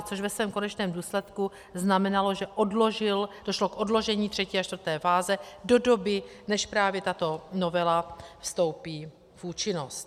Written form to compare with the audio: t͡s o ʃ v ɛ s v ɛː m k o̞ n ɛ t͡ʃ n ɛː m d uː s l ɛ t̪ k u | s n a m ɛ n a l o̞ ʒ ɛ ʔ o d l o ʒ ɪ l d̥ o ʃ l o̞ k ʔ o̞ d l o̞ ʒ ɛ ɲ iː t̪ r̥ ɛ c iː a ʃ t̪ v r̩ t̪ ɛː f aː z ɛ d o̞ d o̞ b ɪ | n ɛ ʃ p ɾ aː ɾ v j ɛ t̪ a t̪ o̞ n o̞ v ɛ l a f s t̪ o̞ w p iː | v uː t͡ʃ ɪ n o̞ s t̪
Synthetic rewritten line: t͡s o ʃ v ɛ s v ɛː m k o̞ n ɛ t͡ʃ n ɛː m d uː s l ɛ t̪ k u | z n a m ɛ n a l o̞ ʒ ɛ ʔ o d l o ʒ ɪ l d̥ o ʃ l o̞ k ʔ o̞ d l o̞ ʒ ɛ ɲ iː t̪ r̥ ɛ c iː a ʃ t̪ v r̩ t̪ ɛː f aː z ɛ d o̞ d o̞ b ɪ | n ɛ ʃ p ɾ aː v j ɛ t̪ a t̪ o̞ n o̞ v ɛ l a f s t̪ o̞ w p iː | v uː t͡ʃ ɪ n o̞ s t̪